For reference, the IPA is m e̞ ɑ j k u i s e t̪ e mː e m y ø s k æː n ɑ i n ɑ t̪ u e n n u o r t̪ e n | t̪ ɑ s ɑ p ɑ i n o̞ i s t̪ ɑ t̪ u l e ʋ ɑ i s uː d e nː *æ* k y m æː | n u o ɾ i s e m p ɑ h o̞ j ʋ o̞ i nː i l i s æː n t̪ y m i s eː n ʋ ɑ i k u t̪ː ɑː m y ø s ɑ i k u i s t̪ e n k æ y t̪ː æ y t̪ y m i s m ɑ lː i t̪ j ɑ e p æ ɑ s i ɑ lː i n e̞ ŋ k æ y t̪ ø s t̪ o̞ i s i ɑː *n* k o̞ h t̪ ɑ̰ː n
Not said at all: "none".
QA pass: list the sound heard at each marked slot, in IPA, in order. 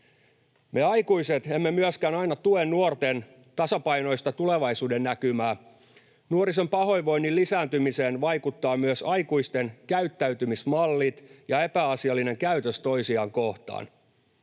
æ, ŋ

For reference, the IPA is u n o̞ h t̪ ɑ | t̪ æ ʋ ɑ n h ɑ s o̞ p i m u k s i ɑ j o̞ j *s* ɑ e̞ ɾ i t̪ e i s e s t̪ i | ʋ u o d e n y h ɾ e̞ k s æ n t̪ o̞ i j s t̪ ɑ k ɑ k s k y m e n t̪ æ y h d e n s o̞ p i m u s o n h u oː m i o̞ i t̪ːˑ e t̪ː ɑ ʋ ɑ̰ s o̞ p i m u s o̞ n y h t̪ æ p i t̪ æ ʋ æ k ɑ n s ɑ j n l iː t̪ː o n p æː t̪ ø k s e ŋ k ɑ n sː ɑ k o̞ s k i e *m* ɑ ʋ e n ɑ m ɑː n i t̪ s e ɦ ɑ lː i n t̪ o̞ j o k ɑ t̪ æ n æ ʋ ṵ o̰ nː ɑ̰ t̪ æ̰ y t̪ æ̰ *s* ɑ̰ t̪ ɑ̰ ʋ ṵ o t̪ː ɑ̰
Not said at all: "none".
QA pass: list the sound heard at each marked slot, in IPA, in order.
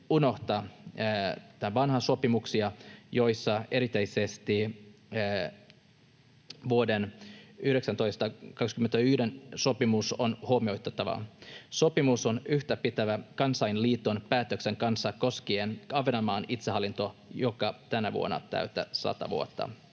sː, n, s

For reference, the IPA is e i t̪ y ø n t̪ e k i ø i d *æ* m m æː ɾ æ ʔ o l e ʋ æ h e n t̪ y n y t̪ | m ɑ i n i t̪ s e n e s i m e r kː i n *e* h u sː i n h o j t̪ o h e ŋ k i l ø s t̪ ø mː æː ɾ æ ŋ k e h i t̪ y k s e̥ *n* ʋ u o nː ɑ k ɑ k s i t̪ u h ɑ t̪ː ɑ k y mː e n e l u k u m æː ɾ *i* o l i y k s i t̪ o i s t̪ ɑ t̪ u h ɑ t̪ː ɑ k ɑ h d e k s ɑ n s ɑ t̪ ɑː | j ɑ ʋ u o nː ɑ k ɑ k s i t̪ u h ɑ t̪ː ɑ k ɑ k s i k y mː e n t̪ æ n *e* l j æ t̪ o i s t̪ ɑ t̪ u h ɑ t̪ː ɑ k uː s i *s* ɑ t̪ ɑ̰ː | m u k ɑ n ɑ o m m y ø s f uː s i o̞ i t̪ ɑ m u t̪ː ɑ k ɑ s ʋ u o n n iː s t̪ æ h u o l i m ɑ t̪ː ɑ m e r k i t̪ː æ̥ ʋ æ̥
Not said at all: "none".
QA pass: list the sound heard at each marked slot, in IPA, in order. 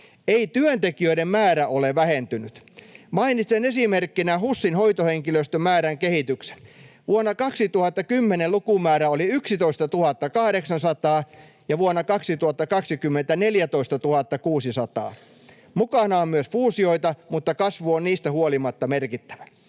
e, æ, n, æ, e, s

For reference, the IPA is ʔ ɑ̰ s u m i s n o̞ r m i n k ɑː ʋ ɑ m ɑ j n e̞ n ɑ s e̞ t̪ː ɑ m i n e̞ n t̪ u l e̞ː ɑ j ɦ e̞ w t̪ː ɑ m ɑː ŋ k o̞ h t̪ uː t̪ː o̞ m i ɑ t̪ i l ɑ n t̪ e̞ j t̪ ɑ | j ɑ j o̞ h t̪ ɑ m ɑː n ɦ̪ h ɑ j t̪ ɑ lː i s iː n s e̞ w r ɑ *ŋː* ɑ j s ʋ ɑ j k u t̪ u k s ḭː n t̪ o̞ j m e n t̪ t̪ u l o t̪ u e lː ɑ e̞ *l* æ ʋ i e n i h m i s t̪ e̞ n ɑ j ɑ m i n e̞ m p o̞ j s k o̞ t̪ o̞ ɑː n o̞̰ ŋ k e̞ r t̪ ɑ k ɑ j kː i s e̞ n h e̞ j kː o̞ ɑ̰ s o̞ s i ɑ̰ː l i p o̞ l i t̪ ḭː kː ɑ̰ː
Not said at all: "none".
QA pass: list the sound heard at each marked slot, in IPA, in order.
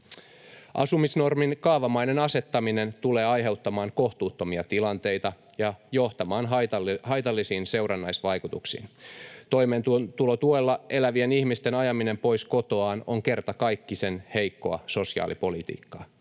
nː, l

